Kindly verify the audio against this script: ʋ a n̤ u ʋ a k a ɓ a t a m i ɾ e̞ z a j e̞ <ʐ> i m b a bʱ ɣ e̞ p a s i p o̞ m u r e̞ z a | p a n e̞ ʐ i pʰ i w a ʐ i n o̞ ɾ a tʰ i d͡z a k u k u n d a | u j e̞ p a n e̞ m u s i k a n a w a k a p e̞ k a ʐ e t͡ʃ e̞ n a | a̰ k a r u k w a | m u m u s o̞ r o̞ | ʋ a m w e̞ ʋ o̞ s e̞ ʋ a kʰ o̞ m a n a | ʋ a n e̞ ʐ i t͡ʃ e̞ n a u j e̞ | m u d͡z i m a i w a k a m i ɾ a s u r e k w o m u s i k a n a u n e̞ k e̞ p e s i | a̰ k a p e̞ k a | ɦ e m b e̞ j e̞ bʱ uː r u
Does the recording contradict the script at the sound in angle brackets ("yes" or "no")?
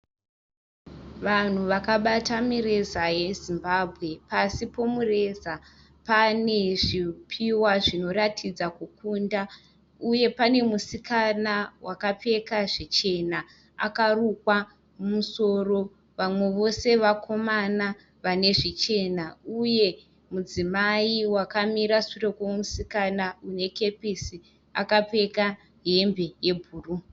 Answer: yes